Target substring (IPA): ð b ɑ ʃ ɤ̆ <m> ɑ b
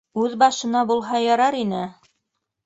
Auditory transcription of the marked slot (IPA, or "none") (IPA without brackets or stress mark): n